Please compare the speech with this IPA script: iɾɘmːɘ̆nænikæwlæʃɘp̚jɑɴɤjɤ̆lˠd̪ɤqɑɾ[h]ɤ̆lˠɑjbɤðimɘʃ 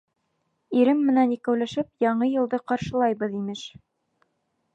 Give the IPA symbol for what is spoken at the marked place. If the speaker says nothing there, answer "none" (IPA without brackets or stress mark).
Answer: ʃ